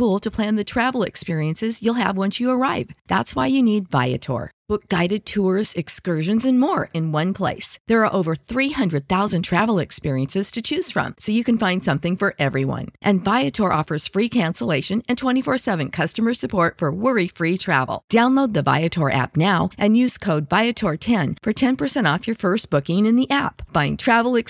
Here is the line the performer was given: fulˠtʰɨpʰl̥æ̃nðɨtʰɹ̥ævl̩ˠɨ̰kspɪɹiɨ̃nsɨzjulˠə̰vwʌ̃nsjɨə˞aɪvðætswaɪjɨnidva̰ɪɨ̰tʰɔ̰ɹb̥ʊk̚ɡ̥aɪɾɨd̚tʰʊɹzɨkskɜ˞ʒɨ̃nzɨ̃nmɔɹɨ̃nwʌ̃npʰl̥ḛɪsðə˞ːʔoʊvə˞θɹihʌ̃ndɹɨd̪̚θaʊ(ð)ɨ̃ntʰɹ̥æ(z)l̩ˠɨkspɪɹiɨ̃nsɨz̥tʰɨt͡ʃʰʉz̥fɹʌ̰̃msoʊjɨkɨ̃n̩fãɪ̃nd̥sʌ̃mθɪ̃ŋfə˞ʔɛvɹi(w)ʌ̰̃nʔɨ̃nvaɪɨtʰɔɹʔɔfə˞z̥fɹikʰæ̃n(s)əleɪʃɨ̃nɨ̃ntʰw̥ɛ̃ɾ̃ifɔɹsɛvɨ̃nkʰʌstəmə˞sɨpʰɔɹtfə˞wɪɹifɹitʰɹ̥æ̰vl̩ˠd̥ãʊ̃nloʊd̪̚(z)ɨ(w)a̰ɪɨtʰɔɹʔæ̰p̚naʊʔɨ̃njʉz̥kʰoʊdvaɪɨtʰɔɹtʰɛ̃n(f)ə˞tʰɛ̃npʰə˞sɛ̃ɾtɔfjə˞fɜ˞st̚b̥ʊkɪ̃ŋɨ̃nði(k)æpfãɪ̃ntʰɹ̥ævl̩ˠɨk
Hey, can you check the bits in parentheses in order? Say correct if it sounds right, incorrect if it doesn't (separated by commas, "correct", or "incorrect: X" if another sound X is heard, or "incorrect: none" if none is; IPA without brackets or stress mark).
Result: incorrect: z, incorrect: v, correct, correct, incorrect: ð, incorrect: v, correct, incorrect: ʔ